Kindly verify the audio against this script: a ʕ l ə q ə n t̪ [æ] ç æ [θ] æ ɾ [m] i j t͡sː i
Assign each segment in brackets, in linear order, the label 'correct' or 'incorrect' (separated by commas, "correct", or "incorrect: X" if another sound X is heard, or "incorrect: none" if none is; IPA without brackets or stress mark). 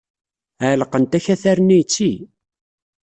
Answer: correct, correct, incorrect: n